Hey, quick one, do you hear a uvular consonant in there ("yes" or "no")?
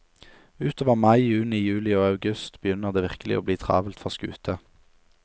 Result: yes